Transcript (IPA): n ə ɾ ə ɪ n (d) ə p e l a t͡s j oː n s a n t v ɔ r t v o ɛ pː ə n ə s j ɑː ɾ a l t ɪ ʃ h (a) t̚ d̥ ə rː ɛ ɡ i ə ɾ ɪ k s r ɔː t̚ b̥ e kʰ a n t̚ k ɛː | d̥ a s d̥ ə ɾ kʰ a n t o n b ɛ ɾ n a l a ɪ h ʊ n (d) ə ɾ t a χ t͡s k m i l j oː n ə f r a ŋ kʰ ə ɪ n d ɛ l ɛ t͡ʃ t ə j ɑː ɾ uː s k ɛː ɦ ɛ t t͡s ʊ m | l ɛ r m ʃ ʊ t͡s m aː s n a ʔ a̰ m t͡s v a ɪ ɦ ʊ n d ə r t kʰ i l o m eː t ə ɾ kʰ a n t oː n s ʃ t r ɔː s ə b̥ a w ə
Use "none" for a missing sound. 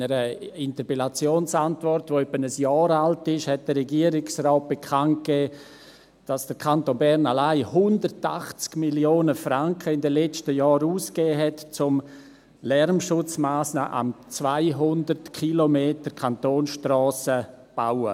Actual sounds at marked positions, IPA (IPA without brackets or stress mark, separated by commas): t, ɛ, d